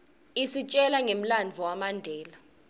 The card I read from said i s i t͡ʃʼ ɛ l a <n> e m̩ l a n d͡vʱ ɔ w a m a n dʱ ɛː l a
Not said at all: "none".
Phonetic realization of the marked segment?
ŋ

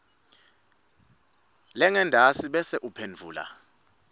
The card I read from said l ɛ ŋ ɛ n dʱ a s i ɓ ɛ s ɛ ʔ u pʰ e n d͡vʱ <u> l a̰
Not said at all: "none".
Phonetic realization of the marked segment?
uː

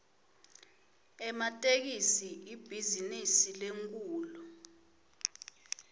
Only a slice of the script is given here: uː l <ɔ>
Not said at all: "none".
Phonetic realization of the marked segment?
ɔ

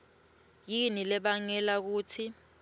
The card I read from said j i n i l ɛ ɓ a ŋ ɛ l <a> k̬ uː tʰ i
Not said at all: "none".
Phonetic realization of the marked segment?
a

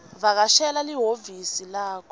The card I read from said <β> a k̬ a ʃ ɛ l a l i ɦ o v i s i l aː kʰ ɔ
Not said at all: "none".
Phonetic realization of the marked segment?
β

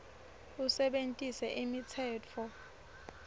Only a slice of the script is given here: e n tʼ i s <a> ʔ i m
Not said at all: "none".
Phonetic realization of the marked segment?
ɛ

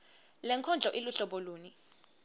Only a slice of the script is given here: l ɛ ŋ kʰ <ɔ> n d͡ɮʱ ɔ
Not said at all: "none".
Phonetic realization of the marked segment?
ɔ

